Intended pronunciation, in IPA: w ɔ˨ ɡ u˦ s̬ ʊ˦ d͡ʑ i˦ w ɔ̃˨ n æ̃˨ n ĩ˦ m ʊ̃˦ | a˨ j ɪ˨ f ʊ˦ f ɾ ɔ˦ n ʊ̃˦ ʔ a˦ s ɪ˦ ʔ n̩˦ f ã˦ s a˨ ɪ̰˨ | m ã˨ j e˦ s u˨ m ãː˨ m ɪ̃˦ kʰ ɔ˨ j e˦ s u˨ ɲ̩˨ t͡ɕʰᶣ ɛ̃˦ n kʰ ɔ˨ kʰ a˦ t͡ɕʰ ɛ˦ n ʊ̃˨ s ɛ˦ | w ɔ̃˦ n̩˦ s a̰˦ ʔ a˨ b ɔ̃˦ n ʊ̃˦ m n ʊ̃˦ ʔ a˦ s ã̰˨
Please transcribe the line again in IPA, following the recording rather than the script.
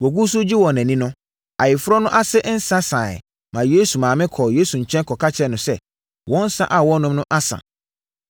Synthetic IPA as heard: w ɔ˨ ɡ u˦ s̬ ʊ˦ d͡ʑ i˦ w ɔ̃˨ n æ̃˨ n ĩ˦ n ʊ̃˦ | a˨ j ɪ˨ f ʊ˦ ɾ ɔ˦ n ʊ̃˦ ʔ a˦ s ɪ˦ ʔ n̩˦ s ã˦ s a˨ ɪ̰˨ | m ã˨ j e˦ s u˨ m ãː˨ m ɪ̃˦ kʰ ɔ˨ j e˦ s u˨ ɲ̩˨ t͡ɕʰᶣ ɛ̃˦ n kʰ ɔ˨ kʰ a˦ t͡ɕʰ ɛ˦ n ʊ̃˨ s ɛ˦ | w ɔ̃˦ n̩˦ s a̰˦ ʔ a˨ w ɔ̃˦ n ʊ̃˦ m n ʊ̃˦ ʔ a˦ s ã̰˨

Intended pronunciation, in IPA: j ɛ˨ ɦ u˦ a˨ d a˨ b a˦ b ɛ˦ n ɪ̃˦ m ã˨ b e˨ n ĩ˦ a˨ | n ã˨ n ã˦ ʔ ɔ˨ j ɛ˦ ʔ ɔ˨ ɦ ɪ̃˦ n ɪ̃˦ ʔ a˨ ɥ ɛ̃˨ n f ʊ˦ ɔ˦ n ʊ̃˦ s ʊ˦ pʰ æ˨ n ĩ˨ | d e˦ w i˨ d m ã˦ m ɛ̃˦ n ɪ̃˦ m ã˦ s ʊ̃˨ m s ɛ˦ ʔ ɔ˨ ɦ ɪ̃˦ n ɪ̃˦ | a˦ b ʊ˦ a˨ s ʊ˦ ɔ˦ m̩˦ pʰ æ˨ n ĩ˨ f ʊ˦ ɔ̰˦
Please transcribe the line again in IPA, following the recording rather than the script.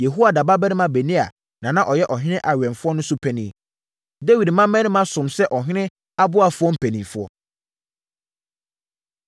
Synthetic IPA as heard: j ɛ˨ ɦ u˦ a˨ d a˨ b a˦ b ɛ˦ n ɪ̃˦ m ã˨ b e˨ n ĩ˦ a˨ | n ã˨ n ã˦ ʔ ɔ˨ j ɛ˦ ʔ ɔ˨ ɦ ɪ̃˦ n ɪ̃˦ ʔ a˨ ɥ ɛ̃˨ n f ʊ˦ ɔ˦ n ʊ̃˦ s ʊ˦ pʰ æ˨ n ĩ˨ | d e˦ w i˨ d m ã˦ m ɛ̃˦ n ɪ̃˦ m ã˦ s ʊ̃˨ m s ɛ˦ ʔ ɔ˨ ɦ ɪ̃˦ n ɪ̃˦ | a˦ b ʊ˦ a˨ f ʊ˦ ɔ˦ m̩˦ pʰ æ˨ n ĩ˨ f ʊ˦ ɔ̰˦

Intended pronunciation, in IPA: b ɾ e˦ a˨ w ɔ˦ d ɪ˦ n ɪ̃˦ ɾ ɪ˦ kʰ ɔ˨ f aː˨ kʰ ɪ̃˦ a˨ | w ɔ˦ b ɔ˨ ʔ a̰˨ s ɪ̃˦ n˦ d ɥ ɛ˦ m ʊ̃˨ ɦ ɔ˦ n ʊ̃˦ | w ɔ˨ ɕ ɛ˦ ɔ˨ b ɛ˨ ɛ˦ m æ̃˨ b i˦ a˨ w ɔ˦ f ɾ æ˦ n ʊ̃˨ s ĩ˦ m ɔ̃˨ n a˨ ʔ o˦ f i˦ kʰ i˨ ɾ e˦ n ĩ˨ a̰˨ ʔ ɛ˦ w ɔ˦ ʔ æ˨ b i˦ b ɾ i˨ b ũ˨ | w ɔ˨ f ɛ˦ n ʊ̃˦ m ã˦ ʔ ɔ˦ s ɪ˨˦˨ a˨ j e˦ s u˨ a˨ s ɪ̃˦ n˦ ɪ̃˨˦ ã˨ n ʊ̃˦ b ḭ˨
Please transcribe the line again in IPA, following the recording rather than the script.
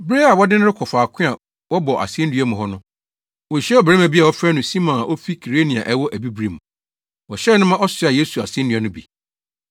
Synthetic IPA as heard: b ɾ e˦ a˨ w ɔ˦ d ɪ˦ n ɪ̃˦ ɾ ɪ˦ kʰ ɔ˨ f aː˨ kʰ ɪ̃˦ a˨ | w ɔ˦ b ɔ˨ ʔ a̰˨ s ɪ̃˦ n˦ d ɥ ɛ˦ m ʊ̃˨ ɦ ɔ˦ n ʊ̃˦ | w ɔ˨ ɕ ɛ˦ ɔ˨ b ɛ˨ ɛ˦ m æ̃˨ b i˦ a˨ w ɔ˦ f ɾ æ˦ n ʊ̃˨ s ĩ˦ m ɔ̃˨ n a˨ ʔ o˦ f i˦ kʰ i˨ ɾ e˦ n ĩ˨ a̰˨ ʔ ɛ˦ w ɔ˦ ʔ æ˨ b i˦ b ɾ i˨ m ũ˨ | w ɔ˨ ɕ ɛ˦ n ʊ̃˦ m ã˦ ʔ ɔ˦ s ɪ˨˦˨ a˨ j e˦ s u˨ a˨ s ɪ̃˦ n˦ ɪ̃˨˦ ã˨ n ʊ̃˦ b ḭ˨

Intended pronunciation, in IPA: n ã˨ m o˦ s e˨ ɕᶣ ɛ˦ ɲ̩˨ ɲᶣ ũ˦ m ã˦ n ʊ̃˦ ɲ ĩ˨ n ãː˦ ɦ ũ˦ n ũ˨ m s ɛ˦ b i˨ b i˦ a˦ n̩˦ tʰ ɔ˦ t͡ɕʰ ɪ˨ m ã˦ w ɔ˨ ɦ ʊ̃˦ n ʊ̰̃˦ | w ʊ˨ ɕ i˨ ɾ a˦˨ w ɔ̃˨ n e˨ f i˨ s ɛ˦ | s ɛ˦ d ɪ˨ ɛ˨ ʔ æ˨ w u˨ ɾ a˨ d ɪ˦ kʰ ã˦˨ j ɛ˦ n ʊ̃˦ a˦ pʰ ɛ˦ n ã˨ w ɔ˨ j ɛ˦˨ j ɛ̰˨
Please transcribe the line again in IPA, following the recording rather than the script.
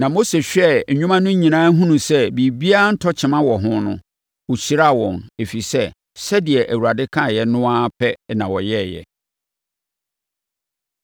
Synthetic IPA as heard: n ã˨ m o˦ s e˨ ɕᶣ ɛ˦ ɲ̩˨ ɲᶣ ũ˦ m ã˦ n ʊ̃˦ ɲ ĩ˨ n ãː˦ ɦ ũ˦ n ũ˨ s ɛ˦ b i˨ b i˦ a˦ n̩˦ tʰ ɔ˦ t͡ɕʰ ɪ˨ m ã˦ w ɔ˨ ɦ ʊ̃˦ n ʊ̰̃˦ | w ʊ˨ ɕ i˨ ɾ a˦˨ w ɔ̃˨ n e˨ f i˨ s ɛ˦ | s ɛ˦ d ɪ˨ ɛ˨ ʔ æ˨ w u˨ ɾ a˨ d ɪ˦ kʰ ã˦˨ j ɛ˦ n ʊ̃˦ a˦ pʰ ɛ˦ n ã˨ w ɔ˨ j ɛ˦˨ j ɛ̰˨

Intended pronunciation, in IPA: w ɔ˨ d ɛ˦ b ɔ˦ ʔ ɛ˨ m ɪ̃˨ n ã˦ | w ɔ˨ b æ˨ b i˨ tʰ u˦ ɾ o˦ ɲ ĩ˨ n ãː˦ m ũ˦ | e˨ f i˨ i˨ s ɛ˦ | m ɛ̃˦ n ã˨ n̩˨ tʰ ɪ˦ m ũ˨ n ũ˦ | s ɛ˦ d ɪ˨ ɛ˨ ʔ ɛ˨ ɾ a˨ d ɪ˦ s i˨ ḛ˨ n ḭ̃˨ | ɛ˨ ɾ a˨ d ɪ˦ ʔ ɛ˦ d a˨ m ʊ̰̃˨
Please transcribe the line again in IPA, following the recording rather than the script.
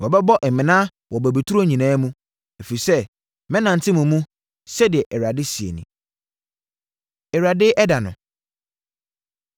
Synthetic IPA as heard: w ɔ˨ b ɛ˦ b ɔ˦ ʔ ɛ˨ m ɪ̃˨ n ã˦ | w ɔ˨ b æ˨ b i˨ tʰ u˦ ɾ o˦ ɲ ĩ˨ n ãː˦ m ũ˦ | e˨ f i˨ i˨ s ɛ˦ | m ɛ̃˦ n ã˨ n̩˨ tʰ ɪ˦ m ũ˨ m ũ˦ | s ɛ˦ d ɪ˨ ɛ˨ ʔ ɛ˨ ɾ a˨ d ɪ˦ s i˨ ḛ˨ n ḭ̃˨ | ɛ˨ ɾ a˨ d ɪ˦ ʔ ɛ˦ d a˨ n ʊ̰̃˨

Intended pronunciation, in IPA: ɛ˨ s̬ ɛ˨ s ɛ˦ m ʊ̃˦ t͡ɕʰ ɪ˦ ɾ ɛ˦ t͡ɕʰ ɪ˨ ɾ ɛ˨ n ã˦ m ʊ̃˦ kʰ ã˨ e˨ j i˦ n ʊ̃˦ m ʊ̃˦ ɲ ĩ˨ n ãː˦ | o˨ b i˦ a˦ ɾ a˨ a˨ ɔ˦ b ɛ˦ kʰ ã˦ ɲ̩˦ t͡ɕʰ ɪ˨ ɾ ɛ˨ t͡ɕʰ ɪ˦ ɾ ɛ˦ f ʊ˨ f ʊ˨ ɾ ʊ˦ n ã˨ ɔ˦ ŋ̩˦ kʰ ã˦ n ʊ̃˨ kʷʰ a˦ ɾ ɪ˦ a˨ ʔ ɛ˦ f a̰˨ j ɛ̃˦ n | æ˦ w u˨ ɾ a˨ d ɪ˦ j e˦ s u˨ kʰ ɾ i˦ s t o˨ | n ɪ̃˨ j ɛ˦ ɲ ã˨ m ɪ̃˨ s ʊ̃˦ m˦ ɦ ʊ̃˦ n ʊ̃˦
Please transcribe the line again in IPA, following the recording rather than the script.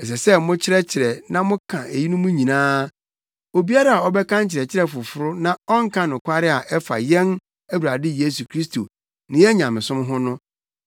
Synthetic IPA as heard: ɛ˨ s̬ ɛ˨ s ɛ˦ m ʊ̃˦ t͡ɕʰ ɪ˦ ɾ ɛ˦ t͡ɕʰ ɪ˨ ɾ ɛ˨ n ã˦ m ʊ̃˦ kʰ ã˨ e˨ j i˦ n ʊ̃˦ m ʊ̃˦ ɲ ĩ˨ n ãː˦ | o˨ b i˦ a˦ ɾ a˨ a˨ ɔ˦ b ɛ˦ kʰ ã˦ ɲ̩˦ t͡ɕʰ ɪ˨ ɾ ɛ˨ t͡ɕʰ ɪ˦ ɾ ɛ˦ f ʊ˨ f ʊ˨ ɾ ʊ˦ n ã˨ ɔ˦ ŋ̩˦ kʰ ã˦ n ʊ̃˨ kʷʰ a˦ ɾ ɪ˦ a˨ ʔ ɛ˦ f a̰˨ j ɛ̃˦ n | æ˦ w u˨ ɾ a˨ d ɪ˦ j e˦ s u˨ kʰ ɾ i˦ s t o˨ | n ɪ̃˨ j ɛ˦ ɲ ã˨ m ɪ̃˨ s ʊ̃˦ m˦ ɦ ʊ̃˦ n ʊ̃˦

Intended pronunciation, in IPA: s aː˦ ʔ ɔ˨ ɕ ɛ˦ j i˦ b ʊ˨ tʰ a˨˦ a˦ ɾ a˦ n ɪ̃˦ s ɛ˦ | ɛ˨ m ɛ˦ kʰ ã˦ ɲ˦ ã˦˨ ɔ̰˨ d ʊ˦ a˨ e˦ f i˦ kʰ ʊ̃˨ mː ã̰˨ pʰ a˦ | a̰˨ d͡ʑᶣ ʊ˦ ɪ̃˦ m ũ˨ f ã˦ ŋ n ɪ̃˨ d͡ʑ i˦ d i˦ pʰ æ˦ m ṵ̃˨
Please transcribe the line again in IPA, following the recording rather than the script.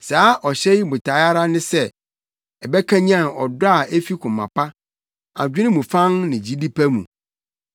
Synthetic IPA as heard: s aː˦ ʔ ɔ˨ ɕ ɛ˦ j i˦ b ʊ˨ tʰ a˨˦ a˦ ɾ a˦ n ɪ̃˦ s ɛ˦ | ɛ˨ b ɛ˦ kʰ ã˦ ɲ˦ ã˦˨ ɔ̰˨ d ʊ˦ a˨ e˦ f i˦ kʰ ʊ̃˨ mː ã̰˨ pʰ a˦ | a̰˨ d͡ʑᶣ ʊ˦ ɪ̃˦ m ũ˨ f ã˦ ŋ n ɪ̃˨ d͡ʑ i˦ d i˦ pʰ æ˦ m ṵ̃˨

